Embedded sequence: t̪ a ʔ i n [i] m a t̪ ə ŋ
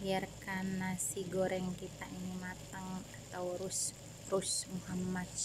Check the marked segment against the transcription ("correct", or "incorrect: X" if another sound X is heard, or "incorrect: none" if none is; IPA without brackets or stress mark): correct